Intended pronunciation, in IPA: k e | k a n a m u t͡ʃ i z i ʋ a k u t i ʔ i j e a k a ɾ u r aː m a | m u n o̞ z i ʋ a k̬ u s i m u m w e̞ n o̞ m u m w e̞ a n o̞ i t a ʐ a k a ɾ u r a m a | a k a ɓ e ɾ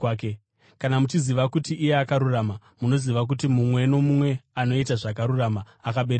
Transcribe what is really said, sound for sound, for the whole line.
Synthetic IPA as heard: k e | k a n a m u t͡ʃ i z i ʋ a k u t i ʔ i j e a k a ɾ u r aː m a | m u n o̞ z i ʋ a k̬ u t i m u m w e̞ n o̞ m u m w e̞ a n o̞ i t a ʐ a k a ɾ u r a m a | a k a ɓ e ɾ